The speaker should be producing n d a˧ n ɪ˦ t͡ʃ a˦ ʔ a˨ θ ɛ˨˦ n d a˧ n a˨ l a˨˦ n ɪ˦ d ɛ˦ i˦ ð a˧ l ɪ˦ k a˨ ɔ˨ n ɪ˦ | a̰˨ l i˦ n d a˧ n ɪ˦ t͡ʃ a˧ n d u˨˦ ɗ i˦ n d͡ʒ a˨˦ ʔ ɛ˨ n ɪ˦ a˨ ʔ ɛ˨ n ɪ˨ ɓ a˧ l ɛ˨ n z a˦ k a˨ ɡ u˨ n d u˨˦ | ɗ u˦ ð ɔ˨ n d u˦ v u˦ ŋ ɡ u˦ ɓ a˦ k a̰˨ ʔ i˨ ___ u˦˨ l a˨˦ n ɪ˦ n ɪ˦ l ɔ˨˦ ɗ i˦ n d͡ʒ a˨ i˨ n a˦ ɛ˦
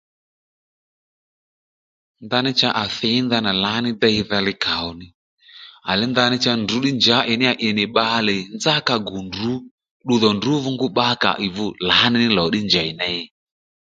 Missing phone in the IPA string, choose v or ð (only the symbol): v